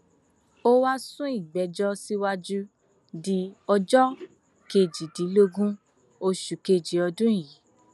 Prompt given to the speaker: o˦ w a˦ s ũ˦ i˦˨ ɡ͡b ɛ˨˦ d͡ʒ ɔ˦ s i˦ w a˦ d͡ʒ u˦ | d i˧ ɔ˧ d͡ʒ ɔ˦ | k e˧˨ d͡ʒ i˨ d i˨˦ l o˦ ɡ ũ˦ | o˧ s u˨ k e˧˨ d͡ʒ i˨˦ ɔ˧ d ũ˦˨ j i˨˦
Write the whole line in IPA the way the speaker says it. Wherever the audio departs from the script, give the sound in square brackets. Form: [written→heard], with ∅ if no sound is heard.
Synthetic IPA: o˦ w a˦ s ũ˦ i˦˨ ɡ͡b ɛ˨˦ d͡ʒ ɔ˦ s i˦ w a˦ d͡ʒ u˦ | d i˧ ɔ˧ d͡ʒ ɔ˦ | k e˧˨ d͡ʒ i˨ d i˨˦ l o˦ ɡ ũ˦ | o˧ [s→ʃ] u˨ k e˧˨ d͡ʒ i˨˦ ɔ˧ d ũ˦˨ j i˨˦